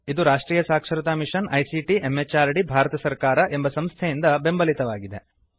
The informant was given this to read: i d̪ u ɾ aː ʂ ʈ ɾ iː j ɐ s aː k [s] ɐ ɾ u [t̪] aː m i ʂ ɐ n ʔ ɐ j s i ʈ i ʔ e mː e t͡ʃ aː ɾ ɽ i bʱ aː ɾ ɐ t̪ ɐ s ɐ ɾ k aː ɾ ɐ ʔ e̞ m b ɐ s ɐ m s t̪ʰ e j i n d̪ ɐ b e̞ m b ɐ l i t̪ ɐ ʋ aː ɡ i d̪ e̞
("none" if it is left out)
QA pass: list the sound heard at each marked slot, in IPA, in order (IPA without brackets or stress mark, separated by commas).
ʂ, t̪